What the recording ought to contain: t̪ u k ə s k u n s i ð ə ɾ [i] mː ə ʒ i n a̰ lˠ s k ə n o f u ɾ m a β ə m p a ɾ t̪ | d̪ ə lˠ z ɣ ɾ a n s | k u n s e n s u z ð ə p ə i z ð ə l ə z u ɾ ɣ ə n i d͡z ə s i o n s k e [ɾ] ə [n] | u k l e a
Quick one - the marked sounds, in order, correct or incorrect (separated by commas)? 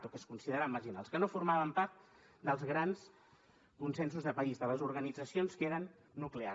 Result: incorrect, correct, incorrect